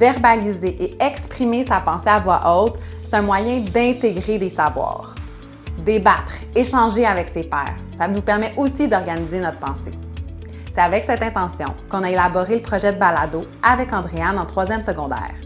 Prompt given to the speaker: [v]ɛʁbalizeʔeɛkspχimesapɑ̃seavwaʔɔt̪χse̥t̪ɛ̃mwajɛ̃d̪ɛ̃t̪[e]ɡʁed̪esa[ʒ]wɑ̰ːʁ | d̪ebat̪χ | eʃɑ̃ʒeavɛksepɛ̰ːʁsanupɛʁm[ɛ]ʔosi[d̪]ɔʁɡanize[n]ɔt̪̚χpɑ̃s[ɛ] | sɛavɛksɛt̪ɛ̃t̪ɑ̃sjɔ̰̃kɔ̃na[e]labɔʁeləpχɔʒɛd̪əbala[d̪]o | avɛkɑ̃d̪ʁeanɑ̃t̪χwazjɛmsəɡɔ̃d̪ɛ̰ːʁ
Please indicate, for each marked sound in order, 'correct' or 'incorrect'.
correct, correct, incorrect, correct, correct, correct, incorrect, correct, correct

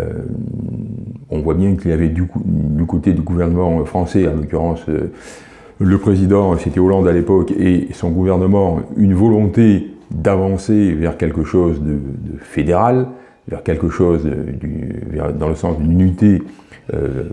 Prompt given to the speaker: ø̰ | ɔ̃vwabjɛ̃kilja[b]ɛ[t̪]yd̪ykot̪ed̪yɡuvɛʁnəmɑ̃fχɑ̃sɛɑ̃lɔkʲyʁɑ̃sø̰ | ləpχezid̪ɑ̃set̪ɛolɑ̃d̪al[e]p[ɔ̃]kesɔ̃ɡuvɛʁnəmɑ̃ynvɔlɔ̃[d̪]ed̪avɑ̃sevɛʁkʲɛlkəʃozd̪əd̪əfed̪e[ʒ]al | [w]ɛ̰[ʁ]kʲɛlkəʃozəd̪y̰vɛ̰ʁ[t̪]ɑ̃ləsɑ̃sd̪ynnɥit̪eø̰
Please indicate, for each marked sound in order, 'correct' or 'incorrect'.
incorrect, incorrect, correct, incorrect, incorrect, incorrect, incorrect, correct, incorrect

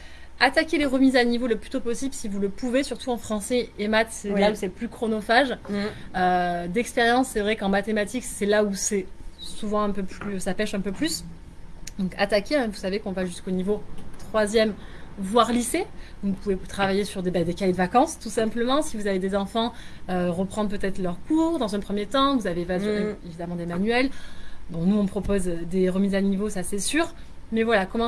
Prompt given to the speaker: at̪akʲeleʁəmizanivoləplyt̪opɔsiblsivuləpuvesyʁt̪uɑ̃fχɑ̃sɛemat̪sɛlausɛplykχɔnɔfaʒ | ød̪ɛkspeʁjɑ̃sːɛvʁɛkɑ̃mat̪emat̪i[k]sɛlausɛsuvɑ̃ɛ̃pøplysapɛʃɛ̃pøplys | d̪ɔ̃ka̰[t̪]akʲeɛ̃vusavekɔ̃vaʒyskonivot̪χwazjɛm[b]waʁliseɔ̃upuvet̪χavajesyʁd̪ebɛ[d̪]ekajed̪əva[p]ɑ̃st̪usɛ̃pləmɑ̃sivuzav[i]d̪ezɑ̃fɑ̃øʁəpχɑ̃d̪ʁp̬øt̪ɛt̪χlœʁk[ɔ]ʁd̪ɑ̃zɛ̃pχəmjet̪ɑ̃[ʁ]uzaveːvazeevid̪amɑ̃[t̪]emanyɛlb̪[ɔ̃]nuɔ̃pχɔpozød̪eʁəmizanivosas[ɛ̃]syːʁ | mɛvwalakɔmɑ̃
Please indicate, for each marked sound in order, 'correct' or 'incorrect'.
correct, correct, incorrect, correct, incorrect, incorrect, incorrect, incorrect, incorrect, correct, incorrect

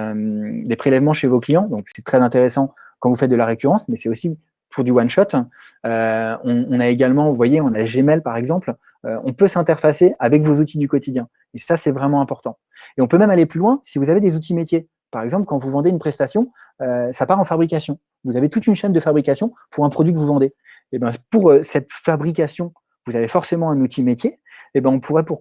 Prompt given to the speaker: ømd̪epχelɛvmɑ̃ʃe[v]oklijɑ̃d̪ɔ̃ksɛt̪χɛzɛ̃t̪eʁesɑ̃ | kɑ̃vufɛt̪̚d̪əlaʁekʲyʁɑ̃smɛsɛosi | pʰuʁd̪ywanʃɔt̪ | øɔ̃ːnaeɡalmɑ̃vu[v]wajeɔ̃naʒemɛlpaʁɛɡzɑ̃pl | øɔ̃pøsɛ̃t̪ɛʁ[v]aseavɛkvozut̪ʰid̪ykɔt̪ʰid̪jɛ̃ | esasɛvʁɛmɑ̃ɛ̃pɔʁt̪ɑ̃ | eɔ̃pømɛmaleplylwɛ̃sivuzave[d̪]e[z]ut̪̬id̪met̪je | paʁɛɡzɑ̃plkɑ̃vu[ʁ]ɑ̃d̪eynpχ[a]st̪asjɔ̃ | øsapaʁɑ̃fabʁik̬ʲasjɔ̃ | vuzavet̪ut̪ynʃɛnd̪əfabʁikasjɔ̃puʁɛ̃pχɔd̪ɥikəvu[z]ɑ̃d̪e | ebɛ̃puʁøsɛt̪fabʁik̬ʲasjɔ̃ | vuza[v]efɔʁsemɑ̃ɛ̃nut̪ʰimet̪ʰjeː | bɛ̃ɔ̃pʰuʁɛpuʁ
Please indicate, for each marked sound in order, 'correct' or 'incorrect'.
correct, correct, incorrect, correct, correct, incorrect, incorrect, incorrect, correct

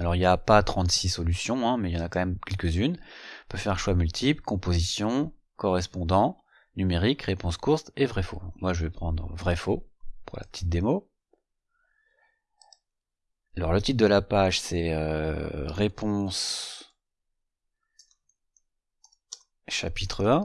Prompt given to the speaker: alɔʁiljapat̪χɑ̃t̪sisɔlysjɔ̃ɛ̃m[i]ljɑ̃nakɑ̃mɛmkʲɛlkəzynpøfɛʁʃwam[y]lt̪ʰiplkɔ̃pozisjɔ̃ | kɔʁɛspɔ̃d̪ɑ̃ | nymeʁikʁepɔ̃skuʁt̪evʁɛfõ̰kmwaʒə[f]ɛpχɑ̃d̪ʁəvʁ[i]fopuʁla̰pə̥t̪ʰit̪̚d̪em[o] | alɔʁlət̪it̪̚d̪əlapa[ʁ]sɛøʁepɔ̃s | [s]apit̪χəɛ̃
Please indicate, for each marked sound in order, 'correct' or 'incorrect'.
incorrect, correct, incorrect, incorrect, correct, incorrect, incorrect

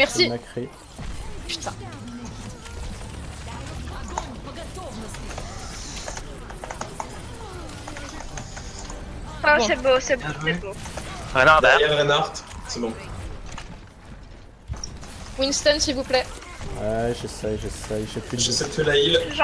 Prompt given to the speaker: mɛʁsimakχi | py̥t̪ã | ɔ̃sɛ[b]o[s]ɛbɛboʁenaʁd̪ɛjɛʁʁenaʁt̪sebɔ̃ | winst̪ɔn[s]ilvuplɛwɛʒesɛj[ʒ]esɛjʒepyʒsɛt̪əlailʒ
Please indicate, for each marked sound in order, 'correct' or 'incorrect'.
correct, correct, correct, correct

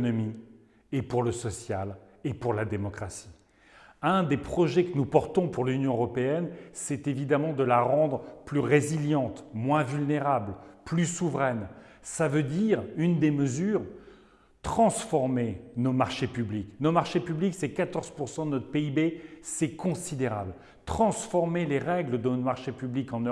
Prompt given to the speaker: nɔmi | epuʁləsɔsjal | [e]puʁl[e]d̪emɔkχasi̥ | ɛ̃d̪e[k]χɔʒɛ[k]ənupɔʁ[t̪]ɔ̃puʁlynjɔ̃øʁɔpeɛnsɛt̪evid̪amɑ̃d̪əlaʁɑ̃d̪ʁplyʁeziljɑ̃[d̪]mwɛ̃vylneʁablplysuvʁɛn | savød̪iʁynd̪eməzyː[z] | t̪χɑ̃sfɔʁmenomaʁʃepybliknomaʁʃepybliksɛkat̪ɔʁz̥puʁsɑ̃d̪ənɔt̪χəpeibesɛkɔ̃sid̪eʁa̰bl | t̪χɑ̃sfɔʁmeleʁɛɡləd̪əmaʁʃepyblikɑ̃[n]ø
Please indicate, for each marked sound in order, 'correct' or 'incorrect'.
correct, incorrect, incorrect, correct, correct, incorrect, incorrect, correct

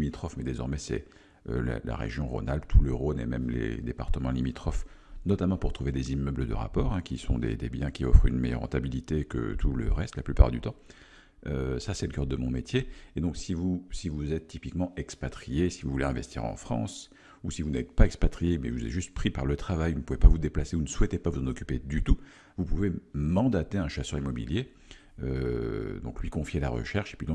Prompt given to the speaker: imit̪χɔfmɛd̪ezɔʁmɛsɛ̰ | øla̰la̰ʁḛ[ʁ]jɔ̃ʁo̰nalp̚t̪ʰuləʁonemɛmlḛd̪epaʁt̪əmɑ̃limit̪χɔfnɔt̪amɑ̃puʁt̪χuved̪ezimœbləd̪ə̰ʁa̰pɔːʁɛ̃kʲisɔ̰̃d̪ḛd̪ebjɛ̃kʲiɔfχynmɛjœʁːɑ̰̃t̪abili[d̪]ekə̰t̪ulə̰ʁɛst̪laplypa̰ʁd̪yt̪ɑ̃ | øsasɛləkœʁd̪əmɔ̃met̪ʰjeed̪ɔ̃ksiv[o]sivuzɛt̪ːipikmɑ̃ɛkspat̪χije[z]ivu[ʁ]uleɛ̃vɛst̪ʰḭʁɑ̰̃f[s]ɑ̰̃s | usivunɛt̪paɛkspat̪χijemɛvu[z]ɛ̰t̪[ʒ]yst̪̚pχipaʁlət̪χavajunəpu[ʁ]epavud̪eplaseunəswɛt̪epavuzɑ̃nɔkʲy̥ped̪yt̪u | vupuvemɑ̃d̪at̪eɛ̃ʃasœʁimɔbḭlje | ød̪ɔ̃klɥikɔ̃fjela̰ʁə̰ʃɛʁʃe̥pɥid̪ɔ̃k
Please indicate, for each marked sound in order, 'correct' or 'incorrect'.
incorrect, incorrect, incorrect, incorrect, incorrect, incorrect, correct, correct, incorrect

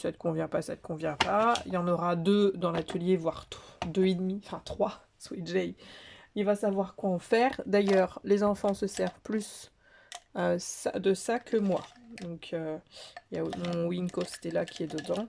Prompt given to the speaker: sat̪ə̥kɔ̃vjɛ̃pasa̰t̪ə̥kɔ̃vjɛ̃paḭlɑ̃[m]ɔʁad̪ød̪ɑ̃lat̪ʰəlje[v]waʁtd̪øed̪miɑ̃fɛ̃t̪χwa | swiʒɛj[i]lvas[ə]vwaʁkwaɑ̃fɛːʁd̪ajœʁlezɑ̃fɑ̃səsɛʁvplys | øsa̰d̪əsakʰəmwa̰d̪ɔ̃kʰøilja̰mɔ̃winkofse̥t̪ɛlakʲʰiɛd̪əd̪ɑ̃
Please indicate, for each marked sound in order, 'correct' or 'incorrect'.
incorrect, correct, correct, incorrect

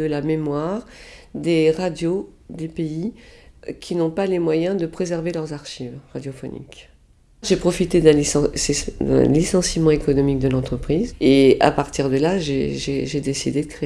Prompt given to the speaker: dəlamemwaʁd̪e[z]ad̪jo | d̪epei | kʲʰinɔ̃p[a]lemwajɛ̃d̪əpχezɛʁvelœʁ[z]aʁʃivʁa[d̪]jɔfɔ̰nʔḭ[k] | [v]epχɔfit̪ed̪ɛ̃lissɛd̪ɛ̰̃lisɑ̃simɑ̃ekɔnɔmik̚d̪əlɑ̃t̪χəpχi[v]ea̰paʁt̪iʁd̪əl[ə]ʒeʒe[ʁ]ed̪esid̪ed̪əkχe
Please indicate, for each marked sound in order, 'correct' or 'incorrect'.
incorrect, correct, correct, correct, correct, incorrect, incorrect, incorrect, incorrect

